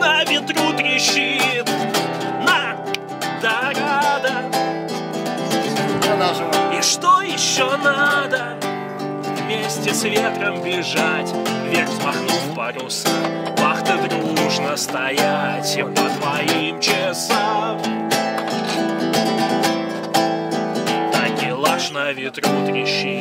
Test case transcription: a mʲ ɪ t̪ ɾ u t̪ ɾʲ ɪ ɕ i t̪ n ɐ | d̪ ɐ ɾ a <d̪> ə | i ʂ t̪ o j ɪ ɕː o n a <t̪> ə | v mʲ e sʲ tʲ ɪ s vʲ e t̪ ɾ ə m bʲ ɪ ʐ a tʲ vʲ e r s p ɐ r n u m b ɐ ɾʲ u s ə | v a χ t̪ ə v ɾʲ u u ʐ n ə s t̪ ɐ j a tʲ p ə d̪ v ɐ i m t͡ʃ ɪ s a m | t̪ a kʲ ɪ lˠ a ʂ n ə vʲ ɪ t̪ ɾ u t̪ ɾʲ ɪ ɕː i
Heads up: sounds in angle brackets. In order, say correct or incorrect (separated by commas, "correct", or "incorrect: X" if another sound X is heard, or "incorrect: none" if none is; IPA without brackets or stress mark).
correct, incorrect: d̪